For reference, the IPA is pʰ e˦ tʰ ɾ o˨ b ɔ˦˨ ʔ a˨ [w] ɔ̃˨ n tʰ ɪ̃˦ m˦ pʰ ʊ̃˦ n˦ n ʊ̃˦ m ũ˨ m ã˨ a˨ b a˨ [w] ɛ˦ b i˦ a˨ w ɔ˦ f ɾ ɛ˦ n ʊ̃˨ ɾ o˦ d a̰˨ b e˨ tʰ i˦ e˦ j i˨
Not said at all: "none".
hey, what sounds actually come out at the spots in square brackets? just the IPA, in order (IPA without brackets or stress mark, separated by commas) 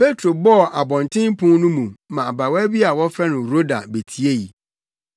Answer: b, w